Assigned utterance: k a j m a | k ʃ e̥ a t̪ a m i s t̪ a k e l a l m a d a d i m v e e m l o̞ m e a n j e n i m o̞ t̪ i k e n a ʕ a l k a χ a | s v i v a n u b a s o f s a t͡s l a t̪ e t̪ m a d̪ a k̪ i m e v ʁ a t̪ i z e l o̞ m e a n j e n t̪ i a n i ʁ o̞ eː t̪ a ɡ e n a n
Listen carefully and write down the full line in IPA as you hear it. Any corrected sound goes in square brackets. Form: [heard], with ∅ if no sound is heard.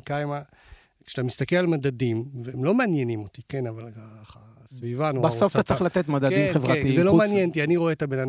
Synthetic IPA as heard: k a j m a | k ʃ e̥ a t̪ a m i s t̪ a k e l a l m a d a d i m v e e m l o̞ m e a n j e n i m o̞ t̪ i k e n a [v] a l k a χ a | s v i v a n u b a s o f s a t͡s l a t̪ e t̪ m a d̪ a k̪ i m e v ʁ a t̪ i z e l o̞ m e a n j e n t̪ i a n i ʁ o̞ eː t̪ a [b] e n a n